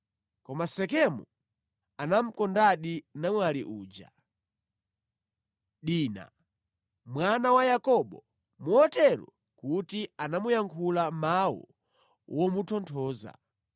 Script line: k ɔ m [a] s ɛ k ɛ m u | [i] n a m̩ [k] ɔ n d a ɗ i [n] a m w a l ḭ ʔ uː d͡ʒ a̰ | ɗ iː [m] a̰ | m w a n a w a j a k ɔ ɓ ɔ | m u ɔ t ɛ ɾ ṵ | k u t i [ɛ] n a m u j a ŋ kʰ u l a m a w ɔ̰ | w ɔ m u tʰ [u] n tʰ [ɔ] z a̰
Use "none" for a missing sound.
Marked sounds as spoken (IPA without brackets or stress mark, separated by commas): a, a, k, n, n, a, ɔ, ɔː